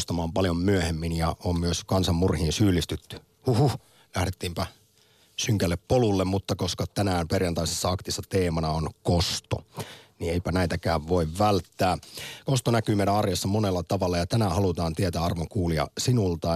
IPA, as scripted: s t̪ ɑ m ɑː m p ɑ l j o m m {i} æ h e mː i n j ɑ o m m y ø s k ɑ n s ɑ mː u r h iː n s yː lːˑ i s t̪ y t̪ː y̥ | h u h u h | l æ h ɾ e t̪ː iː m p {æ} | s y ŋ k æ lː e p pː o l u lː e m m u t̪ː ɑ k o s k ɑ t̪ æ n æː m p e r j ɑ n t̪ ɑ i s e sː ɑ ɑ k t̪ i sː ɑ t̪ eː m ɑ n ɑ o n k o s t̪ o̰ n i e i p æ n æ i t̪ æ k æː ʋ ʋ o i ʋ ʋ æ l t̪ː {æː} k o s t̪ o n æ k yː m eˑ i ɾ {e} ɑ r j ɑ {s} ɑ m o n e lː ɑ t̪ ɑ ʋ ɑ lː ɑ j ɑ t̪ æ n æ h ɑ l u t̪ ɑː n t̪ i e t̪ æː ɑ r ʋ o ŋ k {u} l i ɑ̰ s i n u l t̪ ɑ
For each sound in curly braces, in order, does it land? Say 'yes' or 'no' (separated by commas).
no, yes, yes, no, no, no